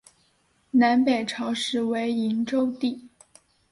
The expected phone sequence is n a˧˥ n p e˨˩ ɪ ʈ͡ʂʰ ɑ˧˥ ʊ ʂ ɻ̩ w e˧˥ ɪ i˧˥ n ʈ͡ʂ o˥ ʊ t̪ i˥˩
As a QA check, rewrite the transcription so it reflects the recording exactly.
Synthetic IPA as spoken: n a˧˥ n p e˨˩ ɪ ʈ͡ʂʰ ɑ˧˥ ʊ ʂ ɻ̩ w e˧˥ ɪ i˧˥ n ʈ͡ʂ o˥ ʊ t̪ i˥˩